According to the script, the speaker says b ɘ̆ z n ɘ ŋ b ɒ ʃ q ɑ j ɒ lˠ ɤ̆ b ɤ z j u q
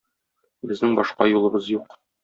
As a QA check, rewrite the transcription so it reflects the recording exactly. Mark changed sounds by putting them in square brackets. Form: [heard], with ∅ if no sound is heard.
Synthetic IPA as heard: b ɘ̆ z n ɘ ŋ b ɒ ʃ q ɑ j [u] lˠ ɤ̆ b ɤ z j u q